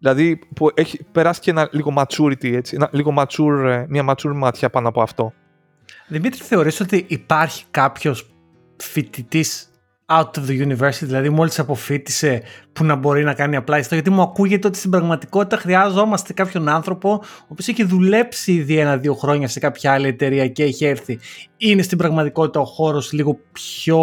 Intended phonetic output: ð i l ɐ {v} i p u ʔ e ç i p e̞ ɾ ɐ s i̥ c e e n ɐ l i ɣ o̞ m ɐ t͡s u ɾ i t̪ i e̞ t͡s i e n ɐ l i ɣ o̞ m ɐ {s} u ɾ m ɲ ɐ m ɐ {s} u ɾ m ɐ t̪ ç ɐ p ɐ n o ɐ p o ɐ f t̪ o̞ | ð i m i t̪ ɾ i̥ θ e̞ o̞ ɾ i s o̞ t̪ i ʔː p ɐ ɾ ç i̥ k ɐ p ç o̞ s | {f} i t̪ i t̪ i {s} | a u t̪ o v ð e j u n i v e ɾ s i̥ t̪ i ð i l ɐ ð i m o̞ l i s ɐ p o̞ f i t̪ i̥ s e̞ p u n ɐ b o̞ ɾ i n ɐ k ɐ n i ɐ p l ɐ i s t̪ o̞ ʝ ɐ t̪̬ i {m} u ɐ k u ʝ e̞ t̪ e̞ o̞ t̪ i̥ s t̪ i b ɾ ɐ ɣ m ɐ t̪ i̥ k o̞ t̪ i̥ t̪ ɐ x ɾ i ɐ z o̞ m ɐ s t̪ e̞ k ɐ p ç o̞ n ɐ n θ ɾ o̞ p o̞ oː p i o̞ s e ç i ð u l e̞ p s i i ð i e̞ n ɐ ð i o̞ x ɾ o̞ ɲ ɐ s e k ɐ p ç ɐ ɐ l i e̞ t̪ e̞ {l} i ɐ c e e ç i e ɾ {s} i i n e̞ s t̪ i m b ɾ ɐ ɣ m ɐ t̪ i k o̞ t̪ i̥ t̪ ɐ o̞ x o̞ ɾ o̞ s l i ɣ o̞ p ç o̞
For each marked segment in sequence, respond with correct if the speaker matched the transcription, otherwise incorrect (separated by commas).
incorrect, incorrect, incorrect, correct, correct, correct, incorrect, incorrect